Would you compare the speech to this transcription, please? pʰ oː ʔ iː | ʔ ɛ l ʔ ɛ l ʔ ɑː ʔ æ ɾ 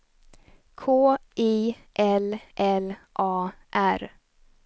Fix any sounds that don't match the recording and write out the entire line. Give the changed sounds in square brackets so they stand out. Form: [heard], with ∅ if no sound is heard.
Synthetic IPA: [kʰ] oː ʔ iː | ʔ ɛ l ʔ ɛ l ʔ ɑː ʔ æ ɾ